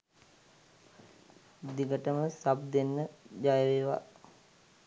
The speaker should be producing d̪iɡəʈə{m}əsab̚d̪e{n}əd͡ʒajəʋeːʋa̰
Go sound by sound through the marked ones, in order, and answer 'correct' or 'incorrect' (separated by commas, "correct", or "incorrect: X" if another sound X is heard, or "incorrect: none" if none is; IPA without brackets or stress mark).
correct, incorrect: nː